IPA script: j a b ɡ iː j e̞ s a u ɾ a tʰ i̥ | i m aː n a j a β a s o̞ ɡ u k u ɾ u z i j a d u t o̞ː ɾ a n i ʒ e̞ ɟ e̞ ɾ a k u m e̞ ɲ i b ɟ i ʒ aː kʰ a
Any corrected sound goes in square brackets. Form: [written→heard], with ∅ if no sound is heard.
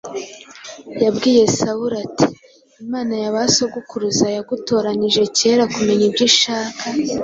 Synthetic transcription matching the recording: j a b ɡ iː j e̞ s a u ɾ a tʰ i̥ | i m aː n a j a β a s o̞ ɡ u k u ɾ u z [i→a] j a [d→ɡ] u t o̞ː ɾ a n i ʒ e̞ [ɟ→c] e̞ ɾ a k u m e̞ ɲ i b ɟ i [ʒ→ʃ] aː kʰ a